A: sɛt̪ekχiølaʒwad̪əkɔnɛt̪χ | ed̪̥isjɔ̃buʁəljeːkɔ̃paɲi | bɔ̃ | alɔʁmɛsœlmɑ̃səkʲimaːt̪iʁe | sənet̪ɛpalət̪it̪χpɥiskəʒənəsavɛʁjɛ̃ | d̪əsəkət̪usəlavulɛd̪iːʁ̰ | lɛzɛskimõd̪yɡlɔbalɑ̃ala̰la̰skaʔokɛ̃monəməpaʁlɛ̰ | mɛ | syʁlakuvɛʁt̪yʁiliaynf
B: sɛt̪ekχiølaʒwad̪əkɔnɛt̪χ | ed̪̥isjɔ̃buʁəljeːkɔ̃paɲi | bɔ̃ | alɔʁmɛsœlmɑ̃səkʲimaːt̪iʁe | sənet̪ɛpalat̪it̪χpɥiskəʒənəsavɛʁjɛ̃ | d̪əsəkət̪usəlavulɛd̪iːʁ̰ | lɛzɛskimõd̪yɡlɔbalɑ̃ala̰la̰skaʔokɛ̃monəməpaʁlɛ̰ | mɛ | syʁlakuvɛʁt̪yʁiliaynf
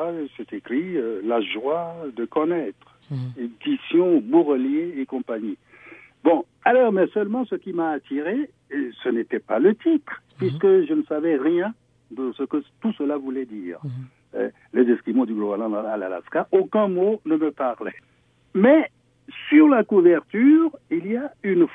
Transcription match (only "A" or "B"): A